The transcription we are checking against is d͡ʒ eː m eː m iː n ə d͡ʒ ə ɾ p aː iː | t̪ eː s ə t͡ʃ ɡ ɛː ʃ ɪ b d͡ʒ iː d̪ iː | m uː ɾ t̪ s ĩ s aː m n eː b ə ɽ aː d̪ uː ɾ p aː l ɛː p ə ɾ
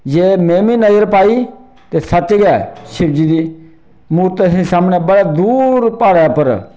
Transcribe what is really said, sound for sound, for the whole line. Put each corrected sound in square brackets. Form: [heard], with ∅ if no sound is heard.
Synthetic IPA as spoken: d͡ʒ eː m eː m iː n ə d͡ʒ ə ɾ p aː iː | t̪ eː s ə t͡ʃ ɡ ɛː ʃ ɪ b d͡ʒ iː d̪ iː | m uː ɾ t̪ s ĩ s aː m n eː b ə ɽ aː d̪ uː ɾ p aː [ɽ] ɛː p ə ɾ